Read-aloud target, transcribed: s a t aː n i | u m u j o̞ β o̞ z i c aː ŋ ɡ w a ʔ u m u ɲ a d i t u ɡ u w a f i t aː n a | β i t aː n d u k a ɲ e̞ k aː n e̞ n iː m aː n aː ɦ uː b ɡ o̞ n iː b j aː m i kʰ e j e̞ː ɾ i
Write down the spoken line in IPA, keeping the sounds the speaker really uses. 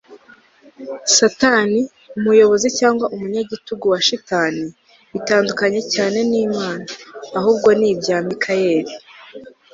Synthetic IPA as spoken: s a t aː n i | u m u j o̞ β o̞ z i c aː ŋ ɡ w a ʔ u m u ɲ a ɟ i t u ɡ u w a ʃ i t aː n i | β i t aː n d u k a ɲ e̞ c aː n e̞ n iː m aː n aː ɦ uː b ɡ o̞ n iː b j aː m i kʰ a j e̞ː ɾ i